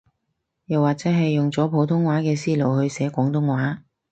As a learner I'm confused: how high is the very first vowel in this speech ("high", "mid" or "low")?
low